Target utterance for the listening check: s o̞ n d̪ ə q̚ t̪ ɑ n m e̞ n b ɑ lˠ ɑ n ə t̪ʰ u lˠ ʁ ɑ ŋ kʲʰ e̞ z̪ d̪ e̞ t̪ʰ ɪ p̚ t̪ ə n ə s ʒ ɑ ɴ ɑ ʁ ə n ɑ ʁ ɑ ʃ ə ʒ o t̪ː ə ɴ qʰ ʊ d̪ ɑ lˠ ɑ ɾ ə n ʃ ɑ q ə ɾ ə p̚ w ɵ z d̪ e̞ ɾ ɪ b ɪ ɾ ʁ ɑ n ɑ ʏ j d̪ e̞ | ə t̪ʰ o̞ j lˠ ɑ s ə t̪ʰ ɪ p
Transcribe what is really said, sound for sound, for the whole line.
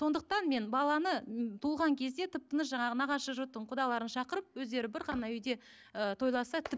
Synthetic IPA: s o̞ n d̪ ə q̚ t̪ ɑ n m e̞ n b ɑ lˠ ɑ n ə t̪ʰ u lˠ ʁ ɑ ŋ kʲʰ e̞ z̪ d̪ e̞ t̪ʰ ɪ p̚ t̪ ə n ə s ʒ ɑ ɴ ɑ ʁ ə n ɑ ʁ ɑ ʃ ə ʒ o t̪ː ə ɴ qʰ ʊ d̪ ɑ lˠ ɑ ɾ ə n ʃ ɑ q ə ɾ ə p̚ w ɵ z d̪ e̞ ɾ ɪ b ɪ ɾ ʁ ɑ n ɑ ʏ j d̪ e̞ | ə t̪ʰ o̞ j lˠ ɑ s ɑ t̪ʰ ɪ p